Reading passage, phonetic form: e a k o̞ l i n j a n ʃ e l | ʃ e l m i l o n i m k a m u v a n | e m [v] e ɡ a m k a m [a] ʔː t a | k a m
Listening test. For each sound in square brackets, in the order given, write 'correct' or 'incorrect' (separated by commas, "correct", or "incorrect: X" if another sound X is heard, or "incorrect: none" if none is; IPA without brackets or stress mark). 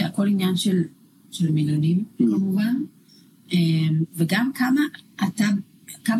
correct, correct